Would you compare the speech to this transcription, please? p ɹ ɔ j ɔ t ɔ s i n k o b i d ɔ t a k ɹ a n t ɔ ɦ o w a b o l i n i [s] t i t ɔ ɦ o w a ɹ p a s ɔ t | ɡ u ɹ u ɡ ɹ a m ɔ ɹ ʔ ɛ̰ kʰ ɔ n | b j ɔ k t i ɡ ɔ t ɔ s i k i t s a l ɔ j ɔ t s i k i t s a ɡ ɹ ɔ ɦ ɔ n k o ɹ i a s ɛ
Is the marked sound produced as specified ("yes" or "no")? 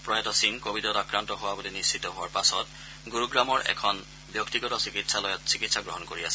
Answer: yes